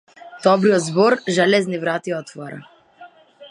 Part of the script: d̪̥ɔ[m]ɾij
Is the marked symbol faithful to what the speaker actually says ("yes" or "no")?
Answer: no